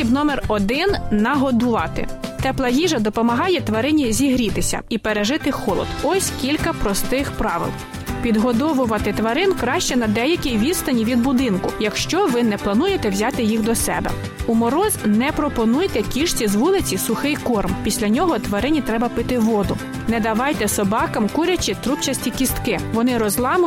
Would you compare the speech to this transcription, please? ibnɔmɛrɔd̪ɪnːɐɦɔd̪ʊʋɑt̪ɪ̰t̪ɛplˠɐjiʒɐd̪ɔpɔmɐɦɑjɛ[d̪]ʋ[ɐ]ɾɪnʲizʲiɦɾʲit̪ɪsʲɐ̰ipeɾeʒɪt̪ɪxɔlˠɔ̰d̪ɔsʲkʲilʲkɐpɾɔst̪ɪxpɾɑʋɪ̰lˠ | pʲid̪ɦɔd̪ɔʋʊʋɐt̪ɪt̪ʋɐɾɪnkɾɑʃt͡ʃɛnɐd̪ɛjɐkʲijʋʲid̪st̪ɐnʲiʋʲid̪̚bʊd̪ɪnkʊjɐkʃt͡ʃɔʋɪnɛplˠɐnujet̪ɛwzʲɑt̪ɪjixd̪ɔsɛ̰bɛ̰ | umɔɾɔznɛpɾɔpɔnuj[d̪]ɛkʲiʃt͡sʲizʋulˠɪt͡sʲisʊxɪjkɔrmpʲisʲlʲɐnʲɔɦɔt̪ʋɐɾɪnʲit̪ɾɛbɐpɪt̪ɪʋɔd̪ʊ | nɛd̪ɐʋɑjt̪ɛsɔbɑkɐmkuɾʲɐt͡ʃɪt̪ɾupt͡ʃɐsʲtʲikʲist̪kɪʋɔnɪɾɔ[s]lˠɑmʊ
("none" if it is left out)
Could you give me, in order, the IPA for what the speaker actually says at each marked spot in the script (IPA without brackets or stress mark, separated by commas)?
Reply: t̪, ɐ, t̪, z